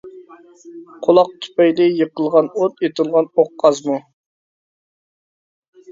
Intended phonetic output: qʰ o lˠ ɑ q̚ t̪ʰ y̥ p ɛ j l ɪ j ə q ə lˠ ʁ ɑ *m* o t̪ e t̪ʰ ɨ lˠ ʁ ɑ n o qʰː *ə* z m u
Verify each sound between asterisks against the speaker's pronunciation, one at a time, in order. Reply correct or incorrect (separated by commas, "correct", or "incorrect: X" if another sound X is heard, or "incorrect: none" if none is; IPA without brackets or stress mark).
incorrect: n, incorrect: ɑ